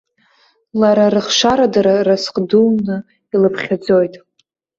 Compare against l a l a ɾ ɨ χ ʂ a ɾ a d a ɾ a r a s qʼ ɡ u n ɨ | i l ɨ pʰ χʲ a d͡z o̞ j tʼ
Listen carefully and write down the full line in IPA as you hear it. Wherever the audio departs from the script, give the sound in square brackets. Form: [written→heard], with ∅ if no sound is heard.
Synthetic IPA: l a [l→ɾ] a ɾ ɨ χ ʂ a ɾ a d a ɾ a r a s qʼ [ɡ→d] u n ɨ | i l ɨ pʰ χʲ a d͡z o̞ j tʼ